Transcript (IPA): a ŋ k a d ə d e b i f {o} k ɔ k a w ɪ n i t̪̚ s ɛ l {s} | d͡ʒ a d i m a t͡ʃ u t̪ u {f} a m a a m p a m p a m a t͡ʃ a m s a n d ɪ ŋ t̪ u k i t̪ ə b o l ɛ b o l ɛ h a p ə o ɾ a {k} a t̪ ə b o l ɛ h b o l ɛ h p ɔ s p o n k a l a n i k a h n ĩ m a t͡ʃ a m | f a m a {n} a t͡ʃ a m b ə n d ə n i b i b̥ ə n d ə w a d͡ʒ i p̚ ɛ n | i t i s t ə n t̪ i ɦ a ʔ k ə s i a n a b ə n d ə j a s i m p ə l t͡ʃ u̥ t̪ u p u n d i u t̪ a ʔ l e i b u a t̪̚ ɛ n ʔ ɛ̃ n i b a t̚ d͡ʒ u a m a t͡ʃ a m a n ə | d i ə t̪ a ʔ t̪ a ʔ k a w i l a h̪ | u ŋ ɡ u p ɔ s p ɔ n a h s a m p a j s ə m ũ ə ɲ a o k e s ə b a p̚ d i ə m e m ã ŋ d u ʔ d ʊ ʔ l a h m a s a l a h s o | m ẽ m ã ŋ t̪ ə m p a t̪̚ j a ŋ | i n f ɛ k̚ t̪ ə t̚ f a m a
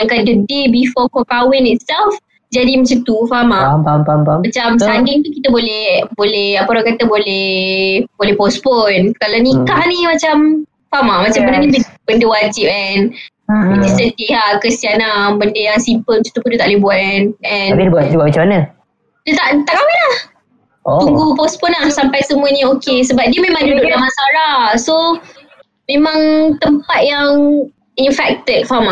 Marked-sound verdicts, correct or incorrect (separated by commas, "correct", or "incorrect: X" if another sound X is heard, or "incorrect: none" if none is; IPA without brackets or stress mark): incorrect: ɔ, incorrect: f, correct, correct, incorrect: m